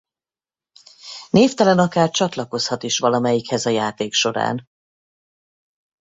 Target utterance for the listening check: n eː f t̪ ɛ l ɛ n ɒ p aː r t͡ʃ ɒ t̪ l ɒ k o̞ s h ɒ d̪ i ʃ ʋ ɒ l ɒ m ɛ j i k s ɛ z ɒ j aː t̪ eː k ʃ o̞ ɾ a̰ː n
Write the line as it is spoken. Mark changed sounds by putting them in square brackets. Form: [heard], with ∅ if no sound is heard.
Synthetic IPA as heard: n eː f t̪ ɛ l ɛ n ɒ [k] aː r t͡ʃ ɒ t̪ l ɒ k o̞ s h ɒ [t̪] i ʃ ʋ ɒ l ɒ m ɛ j i k [h] ɛ z ɒ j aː t̪ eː k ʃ o̞ ɾ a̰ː n